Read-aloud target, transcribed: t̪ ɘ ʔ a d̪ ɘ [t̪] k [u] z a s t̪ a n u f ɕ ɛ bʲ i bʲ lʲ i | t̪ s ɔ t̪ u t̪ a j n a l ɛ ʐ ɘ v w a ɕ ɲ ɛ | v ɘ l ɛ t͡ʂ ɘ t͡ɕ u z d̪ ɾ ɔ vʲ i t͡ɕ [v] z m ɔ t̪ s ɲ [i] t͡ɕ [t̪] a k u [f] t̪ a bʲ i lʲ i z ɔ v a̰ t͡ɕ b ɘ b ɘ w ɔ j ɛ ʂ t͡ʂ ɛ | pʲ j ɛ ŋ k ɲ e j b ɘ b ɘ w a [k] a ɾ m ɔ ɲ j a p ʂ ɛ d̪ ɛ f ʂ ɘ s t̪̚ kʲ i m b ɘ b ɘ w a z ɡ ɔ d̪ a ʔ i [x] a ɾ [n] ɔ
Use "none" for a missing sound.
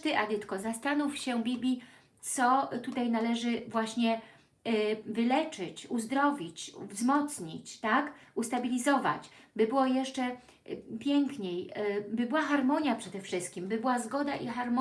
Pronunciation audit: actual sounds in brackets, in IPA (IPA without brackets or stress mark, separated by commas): t̪, ɔ, v, i, t̪, s, x, x, m